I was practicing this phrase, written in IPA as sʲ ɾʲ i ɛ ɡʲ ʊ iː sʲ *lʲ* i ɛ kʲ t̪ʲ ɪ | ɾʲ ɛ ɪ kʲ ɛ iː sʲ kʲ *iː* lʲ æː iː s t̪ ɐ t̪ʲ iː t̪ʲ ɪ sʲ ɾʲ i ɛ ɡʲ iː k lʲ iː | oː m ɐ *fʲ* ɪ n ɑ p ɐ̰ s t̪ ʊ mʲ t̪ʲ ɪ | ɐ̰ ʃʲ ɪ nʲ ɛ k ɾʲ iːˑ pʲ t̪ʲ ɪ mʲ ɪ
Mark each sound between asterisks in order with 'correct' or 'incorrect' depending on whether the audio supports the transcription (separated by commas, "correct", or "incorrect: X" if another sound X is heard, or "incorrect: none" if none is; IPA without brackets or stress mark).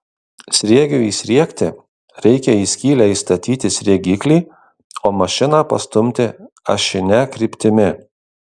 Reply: incorrect: ɾʲ, correct, incorrect: ʃʲ